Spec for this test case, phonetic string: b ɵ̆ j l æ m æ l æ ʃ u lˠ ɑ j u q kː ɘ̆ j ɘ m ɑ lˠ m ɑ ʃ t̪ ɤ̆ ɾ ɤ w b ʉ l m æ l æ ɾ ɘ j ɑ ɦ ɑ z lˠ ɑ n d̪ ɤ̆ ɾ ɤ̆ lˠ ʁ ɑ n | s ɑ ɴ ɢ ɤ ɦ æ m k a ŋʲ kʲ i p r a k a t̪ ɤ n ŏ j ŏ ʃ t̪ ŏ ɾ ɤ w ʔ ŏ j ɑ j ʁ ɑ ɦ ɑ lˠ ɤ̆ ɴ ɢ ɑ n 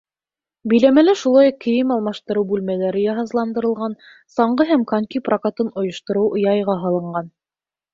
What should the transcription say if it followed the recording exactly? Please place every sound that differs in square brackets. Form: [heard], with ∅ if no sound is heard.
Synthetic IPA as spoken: b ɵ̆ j l æ m æ l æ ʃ u lˠ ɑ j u q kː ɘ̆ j ɘ m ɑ lˠ m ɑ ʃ t̪ ɤ̆ ɾ ɤ w b ʉ l m æ l æ ɾ ɘ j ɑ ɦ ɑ z lˠ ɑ n d̪ ɤ̆ ɾ ɤ̆ lˠ ʁ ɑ n | s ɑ ɴ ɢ ɤ ɦ æ m k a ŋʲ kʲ i p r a k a t̪ ɤ n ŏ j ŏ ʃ t̪ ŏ ɾ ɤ w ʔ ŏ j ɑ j ʁ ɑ ɦ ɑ lˠ ɤ̆ ɴ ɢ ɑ n

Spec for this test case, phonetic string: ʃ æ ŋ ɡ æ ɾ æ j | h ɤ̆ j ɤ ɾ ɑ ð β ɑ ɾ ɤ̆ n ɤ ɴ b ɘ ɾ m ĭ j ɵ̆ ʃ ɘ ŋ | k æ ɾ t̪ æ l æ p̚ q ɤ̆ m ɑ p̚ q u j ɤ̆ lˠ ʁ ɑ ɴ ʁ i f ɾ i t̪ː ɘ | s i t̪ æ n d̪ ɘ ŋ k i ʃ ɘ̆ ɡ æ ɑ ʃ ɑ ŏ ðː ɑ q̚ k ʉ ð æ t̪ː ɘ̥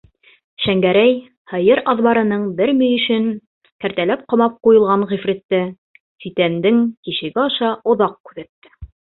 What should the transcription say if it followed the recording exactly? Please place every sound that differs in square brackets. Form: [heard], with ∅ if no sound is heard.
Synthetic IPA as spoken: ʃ æ ŋ ɡ æ ɾ æ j | h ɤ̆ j ɤ ɾ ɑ ð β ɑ ɾ ɤ̆ n ɤ ɴ b ɘ ɾ m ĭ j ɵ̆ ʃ ɘ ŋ | k æ ɾ t̪ æ l æ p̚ q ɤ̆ m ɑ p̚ q u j ɤ̆ lˠ ʁ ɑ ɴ ʁ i f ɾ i t̪ː ɘ | s i t̪ æ n d̪ ɘ ŋ k i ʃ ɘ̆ ɡ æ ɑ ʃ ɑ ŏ [ð] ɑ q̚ k ʉ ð æ t̪ː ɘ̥

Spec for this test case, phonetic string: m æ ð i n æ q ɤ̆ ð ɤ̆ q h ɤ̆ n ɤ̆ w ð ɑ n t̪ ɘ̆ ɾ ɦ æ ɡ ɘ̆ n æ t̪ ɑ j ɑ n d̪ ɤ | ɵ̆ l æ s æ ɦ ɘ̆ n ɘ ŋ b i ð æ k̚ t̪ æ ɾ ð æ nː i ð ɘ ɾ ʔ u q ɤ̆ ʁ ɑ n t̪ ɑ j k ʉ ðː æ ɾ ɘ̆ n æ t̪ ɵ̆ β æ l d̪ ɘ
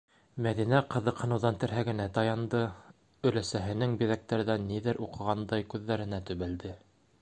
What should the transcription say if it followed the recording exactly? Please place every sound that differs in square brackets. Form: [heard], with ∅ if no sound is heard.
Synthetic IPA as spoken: m æ ð i n æ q ɤ̆ ð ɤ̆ q h ɤ̆ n ɤ̆ w ð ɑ n t̪ ɘ̆ ɾ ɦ æ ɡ ɘ̆ n æ t̪ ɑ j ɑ n d̪ ɤ | ɵ̆ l æ s æ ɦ ɘ̆ n ɘ ŋ b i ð æ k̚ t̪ æ ɾ ð æ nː i ð ɘ ɾ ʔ u q ɤ̆ ʁ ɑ n [d̪] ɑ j k ʉ ðː æ ɾ ɘ̆ n æ t̪ ɵ̆ β æ l d̪ ɘ

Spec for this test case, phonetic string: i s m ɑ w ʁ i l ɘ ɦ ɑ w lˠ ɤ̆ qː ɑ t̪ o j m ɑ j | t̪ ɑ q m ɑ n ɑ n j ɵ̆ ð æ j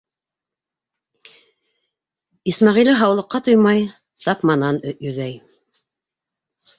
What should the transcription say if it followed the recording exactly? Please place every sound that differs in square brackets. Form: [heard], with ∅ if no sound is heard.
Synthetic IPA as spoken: i s m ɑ [∅] ʁ i l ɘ ɦ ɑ w lˠ ɤ̆ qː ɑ t̪ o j m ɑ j | t̪ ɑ [p] m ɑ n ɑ n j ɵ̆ ð æ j

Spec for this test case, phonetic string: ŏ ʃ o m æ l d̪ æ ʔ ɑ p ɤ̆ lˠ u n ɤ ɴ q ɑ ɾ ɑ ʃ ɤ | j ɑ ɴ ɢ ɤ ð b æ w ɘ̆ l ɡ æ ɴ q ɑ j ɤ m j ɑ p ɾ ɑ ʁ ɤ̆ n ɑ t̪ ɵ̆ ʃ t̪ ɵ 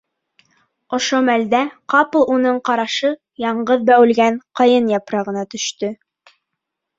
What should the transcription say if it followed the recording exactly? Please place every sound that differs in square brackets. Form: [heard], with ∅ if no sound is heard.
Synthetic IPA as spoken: ŏ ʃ o m æ l d̪ æ [q] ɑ p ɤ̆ lˠ u n ɤ ɴ q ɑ ɾ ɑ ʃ ɤ | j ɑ ɴ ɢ ɤ ð b æ w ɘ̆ l ɡ æ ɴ q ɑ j ɤ [n] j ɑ p ɾ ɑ ʁ ɤ̆ n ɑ t̪ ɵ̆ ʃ t̪ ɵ

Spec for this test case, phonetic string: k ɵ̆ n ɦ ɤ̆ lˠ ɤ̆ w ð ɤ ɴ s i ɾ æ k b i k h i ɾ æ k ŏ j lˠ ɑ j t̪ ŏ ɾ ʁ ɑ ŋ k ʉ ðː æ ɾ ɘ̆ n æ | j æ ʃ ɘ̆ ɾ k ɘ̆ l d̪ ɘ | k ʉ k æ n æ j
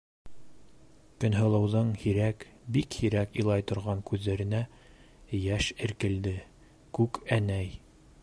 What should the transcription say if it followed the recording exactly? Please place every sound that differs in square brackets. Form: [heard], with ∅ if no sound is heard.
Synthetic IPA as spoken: k ɵ̆ n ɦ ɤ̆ lˠ ɤ̆ w ð ɤ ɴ [h] i ɾ æ k b i k h i ɾ æ k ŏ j lˠ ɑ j t̪ ŏ ɾ ʁ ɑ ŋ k ʉ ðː æ ɾ ɘ̆ n æ | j æ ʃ ɘ̆ ɾ k ɘ̆ l d̪ ɘ | k ʉ k æ n æ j

